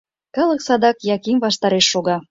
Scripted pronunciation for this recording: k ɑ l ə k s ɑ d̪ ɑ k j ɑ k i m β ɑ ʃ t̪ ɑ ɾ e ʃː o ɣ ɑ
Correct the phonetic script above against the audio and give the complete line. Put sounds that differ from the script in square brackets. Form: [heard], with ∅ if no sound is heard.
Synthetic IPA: k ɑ l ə k s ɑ d̪ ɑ k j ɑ k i m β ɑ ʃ t̪ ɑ ɾ e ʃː o ɣ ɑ